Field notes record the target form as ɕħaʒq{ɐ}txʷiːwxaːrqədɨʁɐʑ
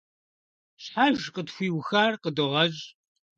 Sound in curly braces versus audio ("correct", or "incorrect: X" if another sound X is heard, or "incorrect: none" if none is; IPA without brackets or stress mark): incorrect: ə